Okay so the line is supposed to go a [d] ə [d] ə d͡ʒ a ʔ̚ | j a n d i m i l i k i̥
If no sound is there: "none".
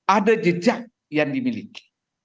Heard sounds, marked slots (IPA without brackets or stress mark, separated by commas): d, d͡ʒ